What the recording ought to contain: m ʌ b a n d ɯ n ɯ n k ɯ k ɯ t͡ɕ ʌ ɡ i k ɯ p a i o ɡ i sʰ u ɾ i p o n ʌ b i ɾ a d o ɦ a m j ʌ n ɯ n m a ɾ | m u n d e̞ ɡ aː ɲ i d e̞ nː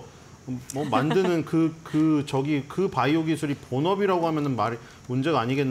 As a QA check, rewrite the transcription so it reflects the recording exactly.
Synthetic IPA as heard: m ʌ m a n d ɯ n ɯ n k ɯ k ɯ t͡ɕ ʌ ɡ i k ɯ p a i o ɡ i sʰ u ɾ i p o n ʌ b i ɾ a ɡ o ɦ a m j ʌ n ɯ n m a ɾ | m u n d͡ʑ e̞ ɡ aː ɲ i ɡ e̞ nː